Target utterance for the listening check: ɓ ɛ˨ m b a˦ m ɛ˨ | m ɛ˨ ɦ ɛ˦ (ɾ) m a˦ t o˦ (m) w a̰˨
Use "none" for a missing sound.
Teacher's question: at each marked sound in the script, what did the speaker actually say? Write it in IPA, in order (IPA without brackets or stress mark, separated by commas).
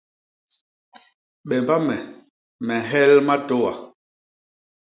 l, none